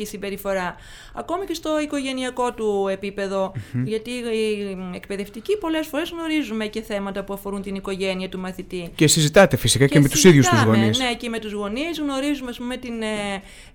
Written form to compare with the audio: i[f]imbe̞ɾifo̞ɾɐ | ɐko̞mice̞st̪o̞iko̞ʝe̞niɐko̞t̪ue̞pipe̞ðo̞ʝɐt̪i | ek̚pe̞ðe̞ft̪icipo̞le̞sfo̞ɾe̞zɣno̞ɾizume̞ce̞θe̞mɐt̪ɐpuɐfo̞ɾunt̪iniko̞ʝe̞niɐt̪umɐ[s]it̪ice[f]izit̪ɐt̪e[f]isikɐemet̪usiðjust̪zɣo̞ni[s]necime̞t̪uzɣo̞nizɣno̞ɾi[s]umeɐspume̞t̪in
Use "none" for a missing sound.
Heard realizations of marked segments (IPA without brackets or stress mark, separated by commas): s, θ, s, f, s, z